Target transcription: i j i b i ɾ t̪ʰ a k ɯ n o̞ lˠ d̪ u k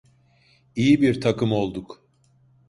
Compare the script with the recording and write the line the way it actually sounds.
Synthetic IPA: i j i b i ɾ t̪ʰ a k ɯ m o̞ lˠ d̪ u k

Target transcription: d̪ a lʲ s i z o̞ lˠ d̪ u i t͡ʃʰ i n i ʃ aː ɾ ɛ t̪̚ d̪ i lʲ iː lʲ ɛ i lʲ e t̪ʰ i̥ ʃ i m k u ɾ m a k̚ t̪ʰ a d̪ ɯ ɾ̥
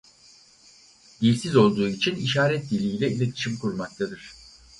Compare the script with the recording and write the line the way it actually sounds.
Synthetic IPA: d̪ i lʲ s i z o̞ lˠ d̪ uː i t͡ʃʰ i n i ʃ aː ɾ ɛ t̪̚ d̪ i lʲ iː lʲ ɛ i lʲ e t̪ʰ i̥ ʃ i m k u ɾ m a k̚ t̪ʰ a d̪ ɯ ɾ̥

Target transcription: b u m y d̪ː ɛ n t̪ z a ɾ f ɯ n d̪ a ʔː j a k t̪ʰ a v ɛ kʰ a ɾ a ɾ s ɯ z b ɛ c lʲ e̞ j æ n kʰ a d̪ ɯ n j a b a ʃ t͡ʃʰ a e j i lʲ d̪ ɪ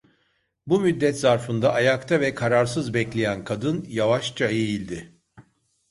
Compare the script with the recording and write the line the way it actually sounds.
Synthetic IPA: b u m y d̪ː ɛ t̪ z a ɾ f ɯ n d̪ a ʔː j a k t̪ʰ a v ɛ kʰ a ɾ a ɾ s ɯ z b ɛ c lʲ e̞ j æ n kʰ a d̪ ɯ n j a v a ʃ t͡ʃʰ a e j i lʲ d̪ ɪ

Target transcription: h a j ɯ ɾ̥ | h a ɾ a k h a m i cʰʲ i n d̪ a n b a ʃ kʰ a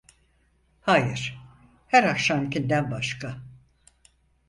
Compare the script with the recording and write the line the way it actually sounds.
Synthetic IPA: h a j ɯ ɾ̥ | h æ ɾ a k ʃ a m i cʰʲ i n d̪ æ n b a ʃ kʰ a

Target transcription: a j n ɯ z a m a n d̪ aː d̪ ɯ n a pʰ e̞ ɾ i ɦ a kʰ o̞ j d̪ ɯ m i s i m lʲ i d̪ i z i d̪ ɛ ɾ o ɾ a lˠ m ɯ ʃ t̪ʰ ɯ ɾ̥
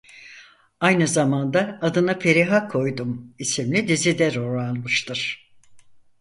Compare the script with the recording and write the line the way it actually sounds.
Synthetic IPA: a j n ɯ z a m a n d̪ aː d̪ ɯ n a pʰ e̞ ɾ i ɦ a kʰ o̞ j d̪ u m i s i m lʲ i d̪ i z i d̪ ɛ ɾ o ɾ a lˠ m ɯ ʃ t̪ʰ ɯ ɾ̥

